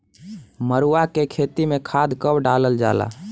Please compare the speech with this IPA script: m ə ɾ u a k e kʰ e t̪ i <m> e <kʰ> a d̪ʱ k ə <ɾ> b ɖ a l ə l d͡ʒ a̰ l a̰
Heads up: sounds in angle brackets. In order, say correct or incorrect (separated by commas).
correct, correct, incorrect